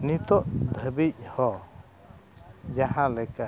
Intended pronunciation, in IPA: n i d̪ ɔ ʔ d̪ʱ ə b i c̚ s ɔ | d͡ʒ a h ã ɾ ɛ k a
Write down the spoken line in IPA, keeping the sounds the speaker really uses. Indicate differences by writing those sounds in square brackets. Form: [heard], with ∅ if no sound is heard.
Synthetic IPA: n i [t̪] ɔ ʔ d̪ʱ ə b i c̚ [h] ɔ | d͡ʒ a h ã [l] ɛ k a